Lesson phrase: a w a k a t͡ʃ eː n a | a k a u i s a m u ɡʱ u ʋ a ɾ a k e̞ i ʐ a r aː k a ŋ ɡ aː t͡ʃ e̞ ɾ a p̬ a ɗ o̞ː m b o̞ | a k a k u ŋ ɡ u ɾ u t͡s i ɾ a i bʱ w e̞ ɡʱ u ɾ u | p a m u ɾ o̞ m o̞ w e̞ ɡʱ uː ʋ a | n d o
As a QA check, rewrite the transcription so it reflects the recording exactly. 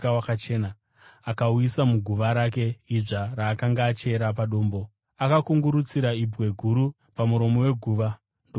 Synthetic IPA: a w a k a t͡ʃ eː n a | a k a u i s a m u ɡʱ u ʋ a ɾ a k e̞ i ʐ a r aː k a ŋ ɡ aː t͡ʃ e̞ ɾ a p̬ a ɗ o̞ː m b o̞ | a k a k u ŋ ɡ u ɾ u t͡s i ɾ a i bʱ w e̞ ɡʱ u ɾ u | p a m u ɾ o̞ m o̞ w e̞ ɡʱ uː ʋ a | n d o